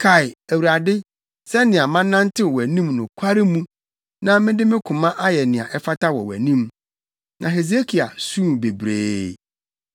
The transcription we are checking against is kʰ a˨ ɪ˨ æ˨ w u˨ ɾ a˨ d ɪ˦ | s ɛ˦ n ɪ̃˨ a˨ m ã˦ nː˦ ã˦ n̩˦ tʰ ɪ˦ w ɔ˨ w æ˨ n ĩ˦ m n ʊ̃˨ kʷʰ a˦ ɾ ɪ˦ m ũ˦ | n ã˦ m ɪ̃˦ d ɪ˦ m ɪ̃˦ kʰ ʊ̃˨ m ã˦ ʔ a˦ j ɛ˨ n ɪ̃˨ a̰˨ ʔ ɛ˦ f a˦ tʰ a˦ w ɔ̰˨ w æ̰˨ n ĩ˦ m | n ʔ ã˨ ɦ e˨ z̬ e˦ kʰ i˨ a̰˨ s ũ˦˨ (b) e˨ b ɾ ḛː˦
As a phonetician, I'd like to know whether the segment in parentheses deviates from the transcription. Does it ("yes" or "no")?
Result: no